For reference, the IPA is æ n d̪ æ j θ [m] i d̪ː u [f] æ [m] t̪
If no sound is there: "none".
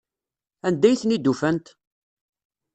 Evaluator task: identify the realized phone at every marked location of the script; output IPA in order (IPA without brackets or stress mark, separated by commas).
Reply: n, f, n